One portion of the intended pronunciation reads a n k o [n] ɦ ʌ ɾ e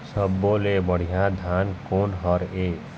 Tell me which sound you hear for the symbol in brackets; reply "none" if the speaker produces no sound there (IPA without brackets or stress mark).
n